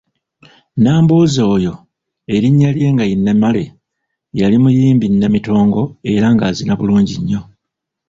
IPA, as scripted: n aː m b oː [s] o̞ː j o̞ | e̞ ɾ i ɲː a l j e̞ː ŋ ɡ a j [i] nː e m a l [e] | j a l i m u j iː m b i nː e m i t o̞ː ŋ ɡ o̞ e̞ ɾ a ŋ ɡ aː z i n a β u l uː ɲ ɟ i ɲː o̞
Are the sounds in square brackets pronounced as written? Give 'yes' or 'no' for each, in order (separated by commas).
no, yes, yes